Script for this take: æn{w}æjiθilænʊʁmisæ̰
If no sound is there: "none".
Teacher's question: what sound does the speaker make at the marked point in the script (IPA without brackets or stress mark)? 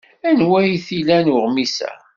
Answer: w